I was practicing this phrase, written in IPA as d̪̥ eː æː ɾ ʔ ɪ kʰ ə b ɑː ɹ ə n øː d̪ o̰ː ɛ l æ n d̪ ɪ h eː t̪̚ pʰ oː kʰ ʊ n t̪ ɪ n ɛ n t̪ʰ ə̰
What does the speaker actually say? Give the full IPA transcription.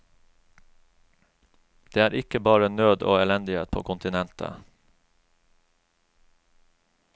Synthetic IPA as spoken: d̪̥ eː æː ɾ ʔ ɪ k ə b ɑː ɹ ə n øː d̪ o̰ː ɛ l ɛ n d̪ ɪ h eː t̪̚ pʰ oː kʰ ʊ n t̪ ɪ n ɛ n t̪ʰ ə̰